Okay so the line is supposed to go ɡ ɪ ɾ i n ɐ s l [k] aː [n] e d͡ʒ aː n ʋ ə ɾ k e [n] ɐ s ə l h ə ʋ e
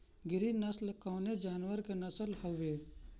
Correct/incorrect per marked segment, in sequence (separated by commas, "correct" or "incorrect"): correct, correct, correct